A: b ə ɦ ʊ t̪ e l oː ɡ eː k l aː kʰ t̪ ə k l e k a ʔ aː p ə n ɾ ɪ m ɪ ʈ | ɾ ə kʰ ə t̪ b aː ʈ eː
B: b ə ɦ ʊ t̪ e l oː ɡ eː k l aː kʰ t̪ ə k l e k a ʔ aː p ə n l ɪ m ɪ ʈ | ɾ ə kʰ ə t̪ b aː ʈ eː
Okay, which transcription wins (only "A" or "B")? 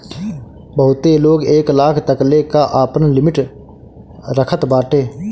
B